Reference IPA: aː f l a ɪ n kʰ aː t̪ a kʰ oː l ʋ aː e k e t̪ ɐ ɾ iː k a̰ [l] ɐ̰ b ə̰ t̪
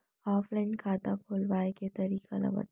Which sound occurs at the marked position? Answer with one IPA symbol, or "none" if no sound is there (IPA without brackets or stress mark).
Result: l